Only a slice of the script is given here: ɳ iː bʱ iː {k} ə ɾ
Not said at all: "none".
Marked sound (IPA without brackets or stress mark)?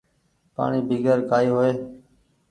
ɡ